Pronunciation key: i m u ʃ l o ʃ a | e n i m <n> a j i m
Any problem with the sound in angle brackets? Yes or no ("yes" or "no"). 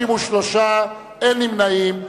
no